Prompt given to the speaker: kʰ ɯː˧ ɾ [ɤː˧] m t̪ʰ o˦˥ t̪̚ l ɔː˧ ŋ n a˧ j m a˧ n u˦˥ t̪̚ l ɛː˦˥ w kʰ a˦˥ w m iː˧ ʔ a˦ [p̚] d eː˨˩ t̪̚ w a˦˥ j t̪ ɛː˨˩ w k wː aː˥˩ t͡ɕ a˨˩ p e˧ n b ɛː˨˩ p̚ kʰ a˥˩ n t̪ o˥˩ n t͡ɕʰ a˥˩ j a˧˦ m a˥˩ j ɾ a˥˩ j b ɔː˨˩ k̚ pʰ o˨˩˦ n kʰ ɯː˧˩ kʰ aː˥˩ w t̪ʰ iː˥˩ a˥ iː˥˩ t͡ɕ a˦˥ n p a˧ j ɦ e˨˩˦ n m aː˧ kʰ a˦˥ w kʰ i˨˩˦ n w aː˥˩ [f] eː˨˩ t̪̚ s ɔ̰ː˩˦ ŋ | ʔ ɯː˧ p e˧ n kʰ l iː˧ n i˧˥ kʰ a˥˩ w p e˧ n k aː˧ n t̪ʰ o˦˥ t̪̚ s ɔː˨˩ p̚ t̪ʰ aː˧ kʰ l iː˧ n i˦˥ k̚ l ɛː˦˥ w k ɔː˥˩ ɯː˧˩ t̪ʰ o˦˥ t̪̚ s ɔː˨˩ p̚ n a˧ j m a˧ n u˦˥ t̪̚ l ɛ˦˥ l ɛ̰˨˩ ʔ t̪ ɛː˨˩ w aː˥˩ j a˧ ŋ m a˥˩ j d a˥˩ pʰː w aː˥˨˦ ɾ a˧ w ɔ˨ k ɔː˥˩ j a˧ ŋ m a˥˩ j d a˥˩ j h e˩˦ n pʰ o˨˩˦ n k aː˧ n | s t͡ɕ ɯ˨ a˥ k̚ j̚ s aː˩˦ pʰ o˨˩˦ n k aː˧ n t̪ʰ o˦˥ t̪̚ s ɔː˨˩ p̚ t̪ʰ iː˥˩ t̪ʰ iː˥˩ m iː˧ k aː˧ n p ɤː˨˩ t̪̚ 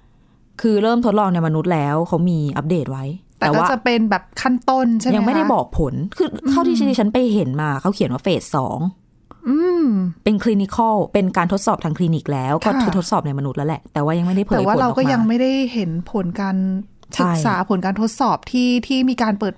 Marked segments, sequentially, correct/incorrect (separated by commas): incorrect, correct, correct